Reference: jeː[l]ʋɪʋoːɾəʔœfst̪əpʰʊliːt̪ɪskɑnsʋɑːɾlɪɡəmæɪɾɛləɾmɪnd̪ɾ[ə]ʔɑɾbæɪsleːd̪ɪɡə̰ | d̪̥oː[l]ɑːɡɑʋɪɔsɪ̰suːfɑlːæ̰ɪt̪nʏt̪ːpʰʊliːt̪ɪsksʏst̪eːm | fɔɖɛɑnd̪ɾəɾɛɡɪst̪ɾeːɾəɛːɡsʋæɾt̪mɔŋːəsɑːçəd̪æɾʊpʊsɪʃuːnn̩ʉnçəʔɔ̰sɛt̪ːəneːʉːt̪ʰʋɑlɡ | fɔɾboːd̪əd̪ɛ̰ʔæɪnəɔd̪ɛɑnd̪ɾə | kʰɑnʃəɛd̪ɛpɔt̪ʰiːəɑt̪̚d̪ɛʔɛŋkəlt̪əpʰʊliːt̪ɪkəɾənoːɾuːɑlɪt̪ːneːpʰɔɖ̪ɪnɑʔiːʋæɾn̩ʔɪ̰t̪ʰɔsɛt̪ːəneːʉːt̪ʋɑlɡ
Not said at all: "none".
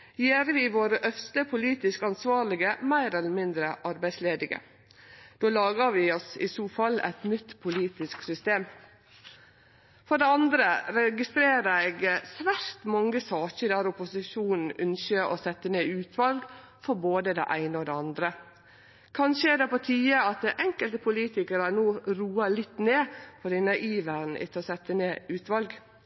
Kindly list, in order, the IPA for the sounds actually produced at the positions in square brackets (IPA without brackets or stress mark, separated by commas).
ɾ, ə, l